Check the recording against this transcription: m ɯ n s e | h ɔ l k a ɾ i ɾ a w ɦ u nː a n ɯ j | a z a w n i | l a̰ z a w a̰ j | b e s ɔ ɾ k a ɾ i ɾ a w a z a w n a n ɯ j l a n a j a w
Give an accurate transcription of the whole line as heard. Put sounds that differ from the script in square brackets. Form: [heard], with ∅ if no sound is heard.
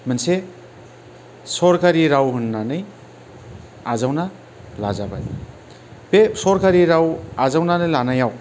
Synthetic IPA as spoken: m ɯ n s e | [s] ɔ [ɾ] k a ɾ i ɾ a w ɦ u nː a n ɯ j | a z a w n [a] | l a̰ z a [b] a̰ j | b e s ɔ ɾ k a ɾ i ɾ a w a z a w n a n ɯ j l a n a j a w